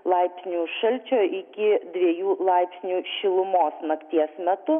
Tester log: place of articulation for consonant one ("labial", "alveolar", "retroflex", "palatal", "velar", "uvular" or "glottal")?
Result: alveolar